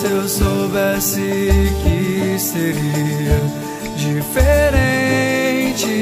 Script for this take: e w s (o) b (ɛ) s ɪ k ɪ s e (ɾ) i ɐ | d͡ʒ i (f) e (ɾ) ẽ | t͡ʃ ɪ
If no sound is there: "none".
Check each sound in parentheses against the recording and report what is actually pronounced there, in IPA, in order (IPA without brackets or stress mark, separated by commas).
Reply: o, ɛ, ɾ, f, ɾ